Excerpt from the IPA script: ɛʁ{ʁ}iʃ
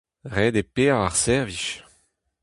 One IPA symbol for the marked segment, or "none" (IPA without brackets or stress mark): v